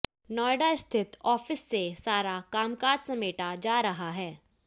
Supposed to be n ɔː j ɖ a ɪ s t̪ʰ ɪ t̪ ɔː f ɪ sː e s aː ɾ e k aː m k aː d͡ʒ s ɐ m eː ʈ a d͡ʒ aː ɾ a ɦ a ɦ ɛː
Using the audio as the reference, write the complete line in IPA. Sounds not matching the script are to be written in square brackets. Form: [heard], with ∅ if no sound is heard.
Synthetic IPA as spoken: n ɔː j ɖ a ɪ s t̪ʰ ɪ t̪ ɔː f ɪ sː e s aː ɾ [a] k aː m k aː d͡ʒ s ɐ m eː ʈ a d͡ʒ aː ɾ [ɐ] ɦ a ɦ ɛː